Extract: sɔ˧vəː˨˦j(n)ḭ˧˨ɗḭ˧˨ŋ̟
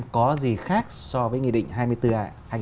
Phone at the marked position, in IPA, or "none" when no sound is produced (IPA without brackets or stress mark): ŋ